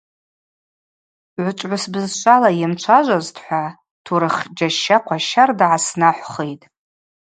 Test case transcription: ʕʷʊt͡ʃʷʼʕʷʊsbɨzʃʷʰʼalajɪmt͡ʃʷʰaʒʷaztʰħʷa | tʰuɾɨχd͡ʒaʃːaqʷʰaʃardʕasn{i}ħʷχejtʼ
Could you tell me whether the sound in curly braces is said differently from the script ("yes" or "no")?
yes